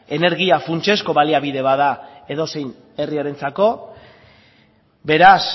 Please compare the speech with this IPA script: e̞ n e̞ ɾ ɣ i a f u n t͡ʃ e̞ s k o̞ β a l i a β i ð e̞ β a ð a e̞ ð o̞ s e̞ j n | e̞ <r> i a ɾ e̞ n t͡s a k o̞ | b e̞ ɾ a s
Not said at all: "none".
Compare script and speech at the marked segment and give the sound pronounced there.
r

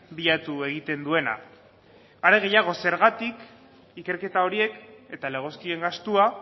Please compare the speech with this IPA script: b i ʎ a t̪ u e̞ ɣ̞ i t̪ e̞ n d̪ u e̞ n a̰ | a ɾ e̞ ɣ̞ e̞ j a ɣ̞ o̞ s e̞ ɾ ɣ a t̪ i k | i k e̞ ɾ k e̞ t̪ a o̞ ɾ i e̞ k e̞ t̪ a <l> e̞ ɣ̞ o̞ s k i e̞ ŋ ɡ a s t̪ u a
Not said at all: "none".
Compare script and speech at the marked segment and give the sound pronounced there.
l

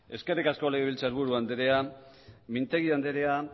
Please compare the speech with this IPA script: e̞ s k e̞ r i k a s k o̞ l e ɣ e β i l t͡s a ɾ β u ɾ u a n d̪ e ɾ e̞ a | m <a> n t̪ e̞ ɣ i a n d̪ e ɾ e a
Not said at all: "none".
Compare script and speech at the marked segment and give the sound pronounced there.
i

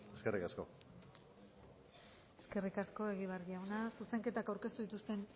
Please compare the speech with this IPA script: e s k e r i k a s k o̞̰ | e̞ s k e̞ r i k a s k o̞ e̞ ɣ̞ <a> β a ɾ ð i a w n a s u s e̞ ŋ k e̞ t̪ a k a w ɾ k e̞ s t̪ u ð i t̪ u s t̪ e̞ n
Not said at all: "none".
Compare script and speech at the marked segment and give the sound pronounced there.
i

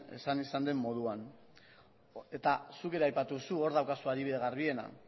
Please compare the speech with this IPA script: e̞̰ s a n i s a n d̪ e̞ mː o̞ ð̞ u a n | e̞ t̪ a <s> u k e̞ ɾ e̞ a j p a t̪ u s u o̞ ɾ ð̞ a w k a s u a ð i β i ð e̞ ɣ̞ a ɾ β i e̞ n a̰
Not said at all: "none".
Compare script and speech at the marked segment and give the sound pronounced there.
s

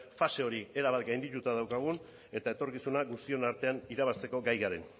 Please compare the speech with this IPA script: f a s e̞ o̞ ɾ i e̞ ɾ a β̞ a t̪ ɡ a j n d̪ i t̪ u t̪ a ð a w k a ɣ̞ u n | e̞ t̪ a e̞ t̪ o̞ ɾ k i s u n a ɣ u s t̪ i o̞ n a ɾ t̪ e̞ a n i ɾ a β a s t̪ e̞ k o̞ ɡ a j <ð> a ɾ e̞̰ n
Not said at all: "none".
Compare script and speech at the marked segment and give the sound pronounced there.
ɣ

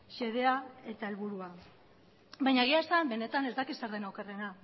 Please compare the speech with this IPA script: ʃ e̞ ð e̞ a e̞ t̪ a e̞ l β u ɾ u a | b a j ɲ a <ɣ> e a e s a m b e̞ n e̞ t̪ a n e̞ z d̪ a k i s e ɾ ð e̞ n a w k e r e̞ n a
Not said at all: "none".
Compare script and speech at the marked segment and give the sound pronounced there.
ɣ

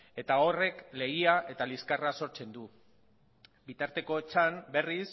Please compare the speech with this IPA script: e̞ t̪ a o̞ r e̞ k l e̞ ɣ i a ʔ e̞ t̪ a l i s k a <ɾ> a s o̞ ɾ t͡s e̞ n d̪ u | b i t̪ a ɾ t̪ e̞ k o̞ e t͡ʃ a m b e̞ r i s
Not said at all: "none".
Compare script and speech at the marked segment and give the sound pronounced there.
r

